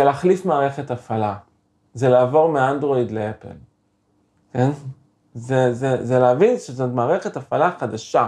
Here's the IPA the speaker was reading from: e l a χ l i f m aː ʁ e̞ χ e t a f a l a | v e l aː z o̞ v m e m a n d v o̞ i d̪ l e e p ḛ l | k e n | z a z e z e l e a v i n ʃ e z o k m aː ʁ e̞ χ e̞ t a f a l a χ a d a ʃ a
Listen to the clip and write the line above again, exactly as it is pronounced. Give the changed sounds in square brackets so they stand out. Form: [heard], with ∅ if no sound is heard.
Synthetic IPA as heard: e l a χ l i f m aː ʁ e̞ χ e t a f a l a | [z] e l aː [v] o̞ [ʁ] m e [∅] a n d [ʁ] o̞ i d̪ l e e p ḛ l | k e n | z [e] z e z e l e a v i n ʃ e z o [t] m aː ʁ e̞ χ e̞ t a f a l a χ a d a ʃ a